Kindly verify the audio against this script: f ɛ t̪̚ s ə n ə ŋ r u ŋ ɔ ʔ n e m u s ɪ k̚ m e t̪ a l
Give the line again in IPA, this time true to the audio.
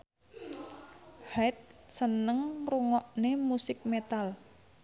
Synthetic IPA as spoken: h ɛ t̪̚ s ə n ə ŋ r u ŋ ɔ ʔ n e m u s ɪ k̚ m e t̪ a l